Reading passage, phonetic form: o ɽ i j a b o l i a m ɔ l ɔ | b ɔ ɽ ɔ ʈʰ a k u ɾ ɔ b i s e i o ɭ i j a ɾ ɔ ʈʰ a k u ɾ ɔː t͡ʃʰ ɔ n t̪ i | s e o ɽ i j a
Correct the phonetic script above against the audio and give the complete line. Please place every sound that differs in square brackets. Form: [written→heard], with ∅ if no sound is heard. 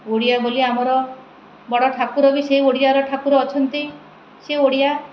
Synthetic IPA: o ɽ i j a b o l i a m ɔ [l→ɾ] ɔ | b ɔ ɽ ɔ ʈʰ a k u ɾ ɔ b i s e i o [ɭ→ɽ] i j a ɾ ɔ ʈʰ a k u ɾ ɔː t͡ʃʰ ɔ n t̪ i | s e o ɽ i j a